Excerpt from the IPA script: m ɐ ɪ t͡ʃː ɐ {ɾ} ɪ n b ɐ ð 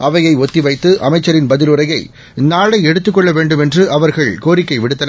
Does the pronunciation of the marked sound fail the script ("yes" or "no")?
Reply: no